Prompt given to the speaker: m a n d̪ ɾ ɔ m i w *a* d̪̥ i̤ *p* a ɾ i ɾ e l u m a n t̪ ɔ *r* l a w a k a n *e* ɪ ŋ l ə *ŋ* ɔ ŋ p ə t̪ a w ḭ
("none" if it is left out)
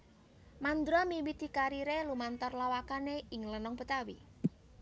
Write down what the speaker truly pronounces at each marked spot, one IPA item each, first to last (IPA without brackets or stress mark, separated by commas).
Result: i, k, r, e, n